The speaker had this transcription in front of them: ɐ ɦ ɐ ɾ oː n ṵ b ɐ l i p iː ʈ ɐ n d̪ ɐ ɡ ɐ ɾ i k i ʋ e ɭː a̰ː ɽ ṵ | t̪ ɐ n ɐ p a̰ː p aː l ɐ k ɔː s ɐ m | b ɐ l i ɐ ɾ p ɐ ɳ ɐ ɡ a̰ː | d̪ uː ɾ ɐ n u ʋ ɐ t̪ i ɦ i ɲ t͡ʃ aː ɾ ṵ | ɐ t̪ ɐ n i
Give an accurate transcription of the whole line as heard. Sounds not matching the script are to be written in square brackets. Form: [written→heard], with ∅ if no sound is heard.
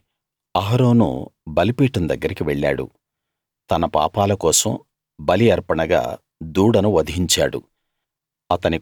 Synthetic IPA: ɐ ɦ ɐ ɾ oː n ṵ b ɐ l i p iː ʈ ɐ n d̪ ɐ [ɡ→ɡː] ɐ ɾ i k i ʋ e ɭː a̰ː ɽ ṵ | t̪ ɐ n ɐ p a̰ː p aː l ɐ k ɔː s ɐ m | b ɐ l i ɐ ɾ p ɐ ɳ ɐ ɡ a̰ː | d̪ uː [ɾ→ɽ] ɐ n u ʋ ɐ [t̪→d̪] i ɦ i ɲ t͡ʃ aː [ɾ→ɽ] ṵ | ɐ t̪ ɐ n i